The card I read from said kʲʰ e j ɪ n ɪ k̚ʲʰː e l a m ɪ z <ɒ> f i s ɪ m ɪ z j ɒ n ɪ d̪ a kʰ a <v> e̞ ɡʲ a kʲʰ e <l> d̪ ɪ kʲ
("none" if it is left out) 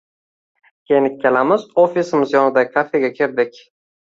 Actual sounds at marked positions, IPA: o, f, ɾ

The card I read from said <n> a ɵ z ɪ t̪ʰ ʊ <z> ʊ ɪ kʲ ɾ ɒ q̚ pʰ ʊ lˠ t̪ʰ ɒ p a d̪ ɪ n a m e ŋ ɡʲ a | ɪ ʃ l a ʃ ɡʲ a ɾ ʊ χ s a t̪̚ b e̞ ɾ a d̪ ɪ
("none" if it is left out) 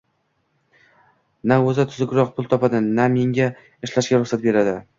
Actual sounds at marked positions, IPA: n, z

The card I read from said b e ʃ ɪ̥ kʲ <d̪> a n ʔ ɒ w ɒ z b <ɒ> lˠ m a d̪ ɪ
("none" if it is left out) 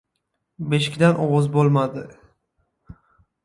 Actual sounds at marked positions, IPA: d̪, o

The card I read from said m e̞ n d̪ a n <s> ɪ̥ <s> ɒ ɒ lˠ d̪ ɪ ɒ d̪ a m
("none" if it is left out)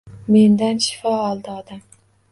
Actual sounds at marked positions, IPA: ʃ, f

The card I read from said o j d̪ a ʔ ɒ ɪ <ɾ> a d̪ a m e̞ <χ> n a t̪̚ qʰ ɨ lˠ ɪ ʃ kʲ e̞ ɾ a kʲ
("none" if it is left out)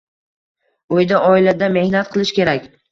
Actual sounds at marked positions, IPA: l, h

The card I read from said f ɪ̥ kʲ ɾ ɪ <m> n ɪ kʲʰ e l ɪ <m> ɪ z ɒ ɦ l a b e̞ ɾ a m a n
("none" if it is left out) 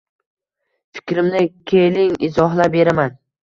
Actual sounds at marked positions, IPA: m, ŋ

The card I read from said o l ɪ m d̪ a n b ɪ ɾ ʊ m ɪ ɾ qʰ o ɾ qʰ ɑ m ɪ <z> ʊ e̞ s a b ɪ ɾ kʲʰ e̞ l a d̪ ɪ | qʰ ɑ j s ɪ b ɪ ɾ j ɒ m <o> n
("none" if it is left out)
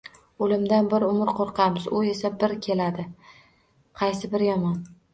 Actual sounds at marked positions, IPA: z, ɒ

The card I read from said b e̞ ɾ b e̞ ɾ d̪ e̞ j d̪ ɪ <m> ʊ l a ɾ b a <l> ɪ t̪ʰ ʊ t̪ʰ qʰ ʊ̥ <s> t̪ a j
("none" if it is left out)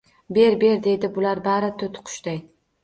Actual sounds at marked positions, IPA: b, ɾ, ʃ

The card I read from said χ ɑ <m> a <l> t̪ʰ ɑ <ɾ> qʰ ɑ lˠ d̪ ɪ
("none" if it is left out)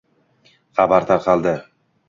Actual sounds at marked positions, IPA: b, ɾ, ɾ

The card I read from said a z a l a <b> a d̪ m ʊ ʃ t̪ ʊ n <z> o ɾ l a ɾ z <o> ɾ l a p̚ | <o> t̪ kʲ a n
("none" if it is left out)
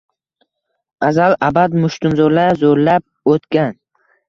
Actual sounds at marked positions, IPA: b, z, o, o

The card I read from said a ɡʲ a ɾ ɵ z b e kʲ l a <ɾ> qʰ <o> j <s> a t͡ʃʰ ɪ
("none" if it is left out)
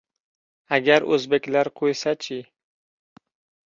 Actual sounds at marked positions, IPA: ɾ, o, s

